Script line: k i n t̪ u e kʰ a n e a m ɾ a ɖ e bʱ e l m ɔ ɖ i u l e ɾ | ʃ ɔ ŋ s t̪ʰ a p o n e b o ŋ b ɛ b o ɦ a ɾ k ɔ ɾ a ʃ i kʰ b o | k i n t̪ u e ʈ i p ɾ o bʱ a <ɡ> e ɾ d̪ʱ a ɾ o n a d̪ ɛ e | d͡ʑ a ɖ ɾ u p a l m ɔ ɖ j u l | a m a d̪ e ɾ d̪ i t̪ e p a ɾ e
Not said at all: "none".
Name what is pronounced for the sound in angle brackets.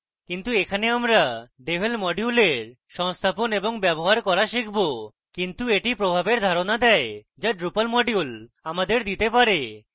b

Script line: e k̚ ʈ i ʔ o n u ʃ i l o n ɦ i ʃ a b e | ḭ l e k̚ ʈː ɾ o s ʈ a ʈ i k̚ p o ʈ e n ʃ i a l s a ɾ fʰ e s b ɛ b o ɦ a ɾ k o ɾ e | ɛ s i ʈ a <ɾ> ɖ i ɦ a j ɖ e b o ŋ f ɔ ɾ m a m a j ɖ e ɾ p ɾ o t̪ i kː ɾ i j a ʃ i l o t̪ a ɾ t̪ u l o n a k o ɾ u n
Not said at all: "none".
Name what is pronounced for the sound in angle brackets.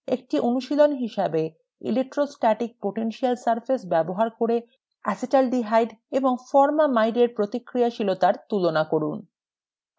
l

